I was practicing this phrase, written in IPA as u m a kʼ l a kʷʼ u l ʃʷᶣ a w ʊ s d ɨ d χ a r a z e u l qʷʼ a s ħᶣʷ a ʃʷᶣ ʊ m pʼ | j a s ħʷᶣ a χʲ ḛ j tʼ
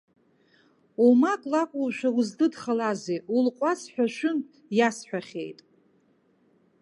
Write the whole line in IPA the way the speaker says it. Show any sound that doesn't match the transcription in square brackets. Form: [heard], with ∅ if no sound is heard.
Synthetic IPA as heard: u m a kʼ l a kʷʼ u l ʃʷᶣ a w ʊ [z] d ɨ d χ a [l] a z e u l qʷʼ a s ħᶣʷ a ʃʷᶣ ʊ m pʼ | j a s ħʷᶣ a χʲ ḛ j tʼ